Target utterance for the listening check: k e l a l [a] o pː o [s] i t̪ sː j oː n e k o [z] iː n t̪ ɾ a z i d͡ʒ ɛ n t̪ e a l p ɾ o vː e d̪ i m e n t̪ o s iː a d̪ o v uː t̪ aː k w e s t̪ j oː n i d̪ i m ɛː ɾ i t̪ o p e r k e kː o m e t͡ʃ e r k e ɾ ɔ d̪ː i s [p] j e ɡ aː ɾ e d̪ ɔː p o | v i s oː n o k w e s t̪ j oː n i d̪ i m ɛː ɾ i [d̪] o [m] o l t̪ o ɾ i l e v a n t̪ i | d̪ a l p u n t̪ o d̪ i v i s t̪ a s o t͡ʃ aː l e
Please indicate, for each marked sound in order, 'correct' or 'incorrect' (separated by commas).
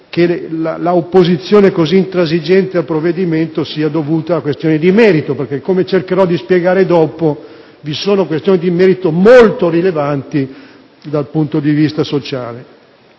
correct, incorrect, correct, correct, incorrect, correct